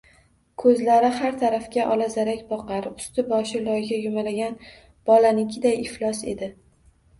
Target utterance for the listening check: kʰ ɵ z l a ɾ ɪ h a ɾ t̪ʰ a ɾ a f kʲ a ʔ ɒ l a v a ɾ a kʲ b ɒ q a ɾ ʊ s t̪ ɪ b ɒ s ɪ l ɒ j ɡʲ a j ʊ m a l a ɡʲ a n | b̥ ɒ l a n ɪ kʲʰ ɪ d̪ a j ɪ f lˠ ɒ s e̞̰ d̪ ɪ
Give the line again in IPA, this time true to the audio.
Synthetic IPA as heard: kʰ ɵ z l a ɾ ɪ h a ɾ t̪ʰ a ɾ a f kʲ a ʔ ɒ l a z a ɾ a kʲ b ɒ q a ɾ ʊ s t̪ ɪ b ɒ ʃ ɪ l ɒ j ɡʲ a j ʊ m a l a ɡʲ a n | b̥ ɒ l a n ɪ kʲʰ ɪ d̪ a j ɪ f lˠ ɒ s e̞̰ d̪ ɪ